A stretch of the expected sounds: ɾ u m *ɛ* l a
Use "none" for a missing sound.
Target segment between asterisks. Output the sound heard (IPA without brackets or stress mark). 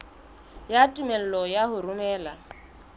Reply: ɛː